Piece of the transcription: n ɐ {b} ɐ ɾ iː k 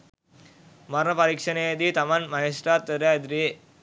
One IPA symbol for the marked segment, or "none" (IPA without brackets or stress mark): p